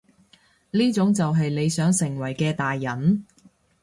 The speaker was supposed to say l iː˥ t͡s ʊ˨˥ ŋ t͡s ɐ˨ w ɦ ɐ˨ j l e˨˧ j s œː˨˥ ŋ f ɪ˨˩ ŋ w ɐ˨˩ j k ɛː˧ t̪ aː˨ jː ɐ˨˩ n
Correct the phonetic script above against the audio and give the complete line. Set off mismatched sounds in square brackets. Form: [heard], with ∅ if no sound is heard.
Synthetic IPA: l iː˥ t͡s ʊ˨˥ ŋ t͡s ɐ˨ w ɦ ɐ˨ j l e˨˧ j s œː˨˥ ŋ [s] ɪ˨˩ ŋ w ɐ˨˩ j k ɛː˧ t̪ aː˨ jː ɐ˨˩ n